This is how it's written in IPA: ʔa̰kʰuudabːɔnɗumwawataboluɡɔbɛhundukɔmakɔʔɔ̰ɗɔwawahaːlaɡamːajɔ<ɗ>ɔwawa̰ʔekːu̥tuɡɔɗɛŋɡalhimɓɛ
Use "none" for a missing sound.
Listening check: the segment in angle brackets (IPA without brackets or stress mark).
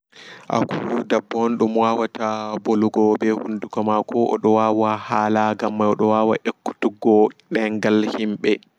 ɗ